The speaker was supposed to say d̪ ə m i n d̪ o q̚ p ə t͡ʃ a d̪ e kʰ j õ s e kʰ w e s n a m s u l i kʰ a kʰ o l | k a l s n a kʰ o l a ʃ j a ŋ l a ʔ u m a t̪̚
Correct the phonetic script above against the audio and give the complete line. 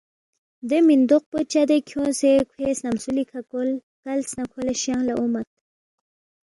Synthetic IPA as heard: d̪ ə m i n d̪ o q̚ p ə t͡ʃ a d̪ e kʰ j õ s e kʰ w e s n a m s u l i kʰ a k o l | k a l s n a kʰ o l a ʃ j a ŋ l a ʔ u m a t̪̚